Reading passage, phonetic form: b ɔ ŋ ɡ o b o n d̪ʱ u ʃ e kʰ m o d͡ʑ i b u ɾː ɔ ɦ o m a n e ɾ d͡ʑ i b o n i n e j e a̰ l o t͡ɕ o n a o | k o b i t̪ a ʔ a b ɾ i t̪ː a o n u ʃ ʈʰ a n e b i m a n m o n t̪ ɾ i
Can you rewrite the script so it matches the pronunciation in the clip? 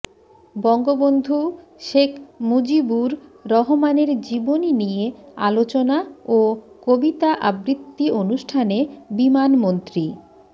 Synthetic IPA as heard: b ɔ ŋ ɡ o b o n d̪ʱ u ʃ e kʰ m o d͡ʑ i b u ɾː ɔ ɦ o m a n e ɾ d͡ʑ i b o n i n i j e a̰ l o t͡ɕ o n a o | k o b i t̪ a ʔ a b ɾ i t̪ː i o n u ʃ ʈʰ a n e b i m a n m o n t̪ ɾ i